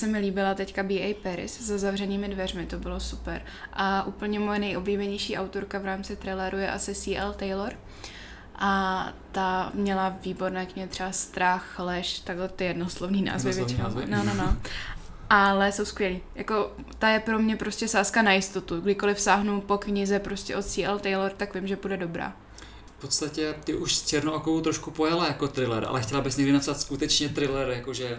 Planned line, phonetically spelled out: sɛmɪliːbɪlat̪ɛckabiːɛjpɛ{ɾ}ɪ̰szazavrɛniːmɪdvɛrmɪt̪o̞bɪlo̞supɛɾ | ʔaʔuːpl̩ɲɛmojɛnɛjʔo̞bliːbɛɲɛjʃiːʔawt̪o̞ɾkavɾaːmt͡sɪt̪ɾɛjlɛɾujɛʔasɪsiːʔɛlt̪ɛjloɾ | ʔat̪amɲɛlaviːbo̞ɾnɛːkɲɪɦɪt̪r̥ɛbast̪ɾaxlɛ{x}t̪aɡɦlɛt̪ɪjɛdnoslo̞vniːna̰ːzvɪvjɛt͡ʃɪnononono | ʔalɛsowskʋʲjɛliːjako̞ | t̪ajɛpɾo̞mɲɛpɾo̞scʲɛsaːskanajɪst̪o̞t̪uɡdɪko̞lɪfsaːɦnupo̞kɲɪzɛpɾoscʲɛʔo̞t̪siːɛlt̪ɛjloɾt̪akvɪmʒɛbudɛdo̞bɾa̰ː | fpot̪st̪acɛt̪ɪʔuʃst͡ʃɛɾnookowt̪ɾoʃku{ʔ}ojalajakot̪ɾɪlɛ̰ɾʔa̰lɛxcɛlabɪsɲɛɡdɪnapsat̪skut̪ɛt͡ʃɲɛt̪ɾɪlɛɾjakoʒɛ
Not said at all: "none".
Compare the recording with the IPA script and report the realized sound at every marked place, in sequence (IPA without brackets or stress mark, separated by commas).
ɾ, ʃ, p